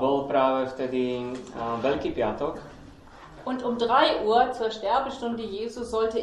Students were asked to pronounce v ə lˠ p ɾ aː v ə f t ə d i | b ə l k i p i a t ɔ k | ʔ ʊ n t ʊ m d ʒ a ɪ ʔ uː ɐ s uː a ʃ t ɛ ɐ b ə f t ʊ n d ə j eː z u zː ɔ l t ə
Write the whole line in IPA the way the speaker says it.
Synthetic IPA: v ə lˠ p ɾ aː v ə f t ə d i | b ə l k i p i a t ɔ k | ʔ ʊ n t ʊ m d ʁ a ɪ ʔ uː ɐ t͡s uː ɐ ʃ t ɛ ɐ b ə ʃ t ʊ n d ə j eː z u z ɔ l t ə